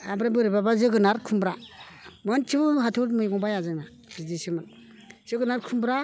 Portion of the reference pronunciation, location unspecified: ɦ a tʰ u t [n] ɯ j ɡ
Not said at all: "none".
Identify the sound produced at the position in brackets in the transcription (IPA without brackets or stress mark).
m